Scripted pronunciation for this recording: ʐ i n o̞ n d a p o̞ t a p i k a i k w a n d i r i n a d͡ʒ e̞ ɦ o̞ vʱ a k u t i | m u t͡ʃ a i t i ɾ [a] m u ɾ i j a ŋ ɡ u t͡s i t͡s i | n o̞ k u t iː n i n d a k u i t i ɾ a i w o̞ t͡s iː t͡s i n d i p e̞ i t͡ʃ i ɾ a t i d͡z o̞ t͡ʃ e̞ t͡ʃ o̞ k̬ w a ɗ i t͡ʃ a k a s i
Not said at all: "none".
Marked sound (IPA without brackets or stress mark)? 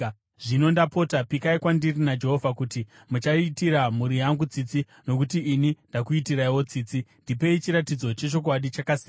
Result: a